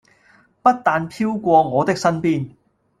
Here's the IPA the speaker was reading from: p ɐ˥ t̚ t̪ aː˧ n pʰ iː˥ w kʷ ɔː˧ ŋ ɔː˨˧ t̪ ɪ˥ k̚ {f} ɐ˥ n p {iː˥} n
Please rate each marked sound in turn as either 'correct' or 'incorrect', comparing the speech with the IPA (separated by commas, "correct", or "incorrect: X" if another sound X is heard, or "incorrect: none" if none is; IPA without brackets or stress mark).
incorrect: s, correct